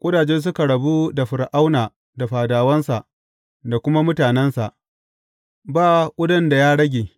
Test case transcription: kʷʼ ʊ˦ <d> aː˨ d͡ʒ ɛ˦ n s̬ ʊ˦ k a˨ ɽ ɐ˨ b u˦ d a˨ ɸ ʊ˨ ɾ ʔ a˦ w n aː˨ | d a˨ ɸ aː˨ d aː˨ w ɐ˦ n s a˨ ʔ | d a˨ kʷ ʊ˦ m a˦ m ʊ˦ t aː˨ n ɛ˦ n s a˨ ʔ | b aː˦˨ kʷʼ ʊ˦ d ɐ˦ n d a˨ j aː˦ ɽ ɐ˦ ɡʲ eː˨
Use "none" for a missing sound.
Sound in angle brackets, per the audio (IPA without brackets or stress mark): d